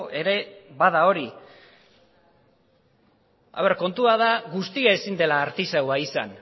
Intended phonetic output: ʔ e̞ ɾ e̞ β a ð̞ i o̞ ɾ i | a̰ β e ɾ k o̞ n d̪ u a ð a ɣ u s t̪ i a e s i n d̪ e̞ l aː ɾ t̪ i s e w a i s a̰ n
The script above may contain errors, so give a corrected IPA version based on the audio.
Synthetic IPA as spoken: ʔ e̞ ɾ e̞ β a ð̞ a o̞ ɾ i | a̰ β e ɾ k o̞ n t̪ u a ð a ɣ u s t̪ i a e s i n d̪ e̞ l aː ɾ t̪ i s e w a i s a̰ n